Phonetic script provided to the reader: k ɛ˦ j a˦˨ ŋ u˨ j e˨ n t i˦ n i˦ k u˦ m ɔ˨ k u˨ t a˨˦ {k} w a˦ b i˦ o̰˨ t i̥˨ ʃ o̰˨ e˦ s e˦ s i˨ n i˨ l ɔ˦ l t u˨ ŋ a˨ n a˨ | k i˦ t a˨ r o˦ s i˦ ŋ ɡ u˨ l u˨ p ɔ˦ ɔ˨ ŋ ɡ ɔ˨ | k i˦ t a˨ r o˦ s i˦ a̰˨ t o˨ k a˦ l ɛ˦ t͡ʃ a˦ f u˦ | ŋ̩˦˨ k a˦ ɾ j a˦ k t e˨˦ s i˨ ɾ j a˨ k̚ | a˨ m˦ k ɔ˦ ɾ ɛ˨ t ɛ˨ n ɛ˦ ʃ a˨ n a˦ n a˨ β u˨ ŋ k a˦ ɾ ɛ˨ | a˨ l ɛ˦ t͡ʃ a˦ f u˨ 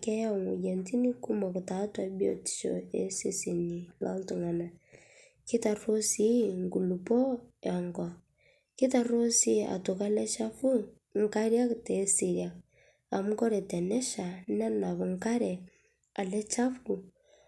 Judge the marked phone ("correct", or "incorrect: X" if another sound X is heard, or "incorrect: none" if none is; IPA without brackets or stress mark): incorrect: t